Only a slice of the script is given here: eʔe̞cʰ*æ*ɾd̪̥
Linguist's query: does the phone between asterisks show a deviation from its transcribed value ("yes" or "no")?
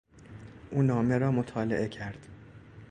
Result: no